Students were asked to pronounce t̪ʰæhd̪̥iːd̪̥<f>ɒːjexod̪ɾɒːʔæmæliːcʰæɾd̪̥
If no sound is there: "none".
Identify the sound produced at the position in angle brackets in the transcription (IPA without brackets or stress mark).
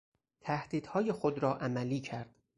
h